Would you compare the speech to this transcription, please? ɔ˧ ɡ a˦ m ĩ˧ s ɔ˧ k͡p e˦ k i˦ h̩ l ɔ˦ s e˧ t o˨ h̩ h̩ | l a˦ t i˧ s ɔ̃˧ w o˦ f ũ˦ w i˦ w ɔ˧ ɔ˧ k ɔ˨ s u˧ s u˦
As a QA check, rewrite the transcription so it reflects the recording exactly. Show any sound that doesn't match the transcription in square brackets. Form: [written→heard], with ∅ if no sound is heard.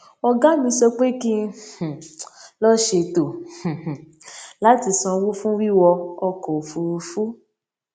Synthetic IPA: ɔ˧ ɡ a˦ m ĩ˧ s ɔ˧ k͡p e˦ k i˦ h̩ l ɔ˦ [s→ʃ] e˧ t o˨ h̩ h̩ | l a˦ t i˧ s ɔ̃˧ w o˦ f ũ˦ w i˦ w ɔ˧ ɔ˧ k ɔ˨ [s→f] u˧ [s→f] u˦